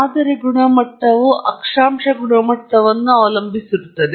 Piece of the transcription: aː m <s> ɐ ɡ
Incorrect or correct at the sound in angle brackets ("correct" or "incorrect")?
incorrect